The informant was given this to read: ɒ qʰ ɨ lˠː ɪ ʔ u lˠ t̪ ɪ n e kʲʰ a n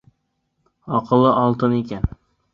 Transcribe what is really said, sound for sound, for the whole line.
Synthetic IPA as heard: ɒ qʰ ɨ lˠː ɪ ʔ ɒ lˠ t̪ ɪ n e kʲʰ a n

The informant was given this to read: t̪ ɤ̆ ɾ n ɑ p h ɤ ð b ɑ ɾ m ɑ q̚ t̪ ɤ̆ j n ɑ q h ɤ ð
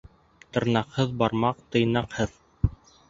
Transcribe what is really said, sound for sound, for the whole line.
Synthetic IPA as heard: t̪ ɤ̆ ɾ n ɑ q h ɤ ð b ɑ ɾ m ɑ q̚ t̪ ɤ̆ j n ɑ q h ɤ ð

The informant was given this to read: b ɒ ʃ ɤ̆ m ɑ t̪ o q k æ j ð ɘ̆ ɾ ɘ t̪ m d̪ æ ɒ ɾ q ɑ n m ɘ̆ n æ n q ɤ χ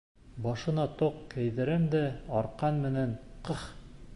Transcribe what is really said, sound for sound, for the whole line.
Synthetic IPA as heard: b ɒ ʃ ɤ̆ n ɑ t̪ o q k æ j ð ɘ̆ ɾ ɘ m d̪ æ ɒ ɾ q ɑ n m ɘ̆ n æ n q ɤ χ

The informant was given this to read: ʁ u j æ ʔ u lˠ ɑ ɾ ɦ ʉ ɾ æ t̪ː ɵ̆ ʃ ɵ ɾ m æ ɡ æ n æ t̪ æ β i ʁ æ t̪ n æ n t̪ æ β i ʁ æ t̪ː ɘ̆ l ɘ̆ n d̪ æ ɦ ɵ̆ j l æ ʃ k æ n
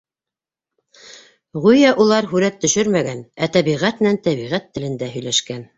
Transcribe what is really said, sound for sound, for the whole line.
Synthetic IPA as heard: ʁ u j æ ʔ u lˠ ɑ ɾ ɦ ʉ ɾ æ t̪ː ɵ̆ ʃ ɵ ɾ m æ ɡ æ n æ t̪ æ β i ʁ æ t̪ n æ n t̪ æ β i ʁ æ t̪ː ɘ̆ l ɘ̆ n d̪ æ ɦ ɵ̆ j l æ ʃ k æ n

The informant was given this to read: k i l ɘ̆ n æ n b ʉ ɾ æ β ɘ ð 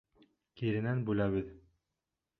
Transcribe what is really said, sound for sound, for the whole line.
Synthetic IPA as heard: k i ɾ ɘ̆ n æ n b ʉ l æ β ɘ ð

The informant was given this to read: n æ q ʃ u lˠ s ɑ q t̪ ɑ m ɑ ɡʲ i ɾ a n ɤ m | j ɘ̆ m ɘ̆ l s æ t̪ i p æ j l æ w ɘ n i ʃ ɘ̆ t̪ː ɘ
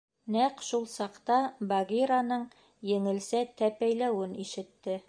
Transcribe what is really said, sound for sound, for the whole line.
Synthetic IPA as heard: n æ q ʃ u lˠ s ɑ q t̪ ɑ b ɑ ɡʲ i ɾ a n ɤ ɴ | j ɘ̆ ŋ ɘ̆ l s æ t̪ æ p æ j l æ w ɘ n i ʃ ɘ̆ t̪ː ɘ

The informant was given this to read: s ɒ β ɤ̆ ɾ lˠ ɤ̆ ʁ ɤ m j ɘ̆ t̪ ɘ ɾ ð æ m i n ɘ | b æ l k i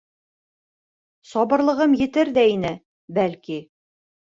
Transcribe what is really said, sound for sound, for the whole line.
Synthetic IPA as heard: s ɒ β ɤ̆ ɾ lˠ ɤ̆ ʁ ɤ m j ɘ̆ t̪ ɘ ɾ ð æ i n ɘ | b æ l k i

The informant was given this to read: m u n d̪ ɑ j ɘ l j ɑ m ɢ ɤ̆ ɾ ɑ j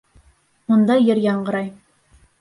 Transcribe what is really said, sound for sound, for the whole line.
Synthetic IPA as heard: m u n d̪ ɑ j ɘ ɾ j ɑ ɴ ɢ ɤ̆ ɾ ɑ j

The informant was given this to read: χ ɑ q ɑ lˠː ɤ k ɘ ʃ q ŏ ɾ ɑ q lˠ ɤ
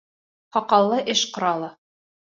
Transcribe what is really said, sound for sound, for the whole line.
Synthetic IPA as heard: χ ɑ q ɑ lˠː ɤ ʔ ɘ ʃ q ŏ ɾ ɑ lˠ ɤ

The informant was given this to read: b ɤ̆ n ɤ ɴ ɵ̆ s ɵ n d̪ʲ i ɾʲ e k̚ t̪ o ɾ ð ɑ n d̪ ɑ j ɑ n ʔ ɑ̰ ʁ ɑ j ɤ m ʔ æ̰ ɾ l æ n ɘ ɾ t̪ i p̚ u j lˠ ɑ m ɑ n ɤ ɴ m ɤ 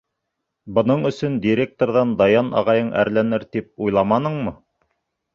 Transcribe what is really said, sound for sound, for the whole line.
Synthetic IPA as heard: b ɤ̆ n ɤ ɴ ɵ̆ s ɵ n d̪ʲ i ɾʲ e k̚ t̪ o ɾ ð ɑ n d̪ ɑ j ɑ n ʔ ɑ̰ ʁ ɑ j ɤ ɴ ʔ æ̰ ɾ l æ n ɘ ɾ t̪ i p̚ u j lˠ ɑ m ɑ n ɤ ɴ m ɤ

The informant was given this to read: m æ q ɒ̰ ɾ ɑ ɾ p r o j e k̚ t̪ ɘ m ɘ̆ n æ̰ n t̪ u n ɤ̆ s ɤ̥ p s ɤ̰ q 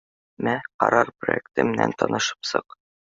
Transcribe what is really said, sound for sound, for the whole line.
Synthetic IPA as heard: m æ q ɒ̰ ɾ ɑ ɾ p r o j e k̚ t̪ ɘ m ɘ̆ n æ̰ n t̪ ɒ n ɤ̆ ʃ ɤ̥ p s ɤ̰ q

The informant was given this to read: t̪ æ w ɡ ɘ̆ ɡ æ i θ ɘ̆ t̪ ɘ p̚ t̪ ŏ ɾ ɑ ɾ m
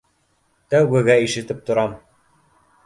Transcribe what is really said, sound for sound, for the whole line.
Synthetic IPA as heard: t̪ æ w ɡ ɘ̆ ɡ æ i ʃ ɘ̆ t̪ ɘ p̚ t̪ ŏ ɾ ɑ m

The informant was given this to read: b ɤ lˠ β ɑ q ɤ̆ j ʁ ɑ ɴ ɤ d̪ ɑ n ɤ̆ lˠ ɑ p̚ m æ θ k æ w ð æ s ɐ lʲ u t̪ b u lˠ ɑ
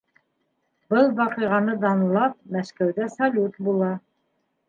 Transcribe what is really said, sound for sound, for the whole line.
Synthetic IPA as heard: b ɤ lˠ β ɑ q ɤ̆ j ʁ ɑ n ɤ d̪ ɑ n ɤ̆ lˠ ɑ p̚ m æ ʃ k æ w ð æ s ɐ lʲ u t̪ b u lˠ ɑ

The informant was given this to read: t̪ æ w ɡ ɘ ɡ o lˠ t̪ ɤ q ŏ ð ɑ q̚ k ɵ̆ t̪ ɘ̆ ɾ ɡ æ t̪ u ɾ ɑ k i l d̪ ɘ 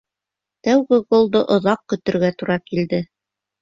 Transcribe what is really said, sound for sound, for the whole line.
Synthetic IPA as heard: t̪ æ w ɡ ɘ ɡ o lˠ d̪ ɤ ʔ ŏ ð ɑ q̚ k ɵ̆ t̪ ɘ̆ ɾ ɡ æ t̪ u ɾ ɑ k i l d̪ ɘ

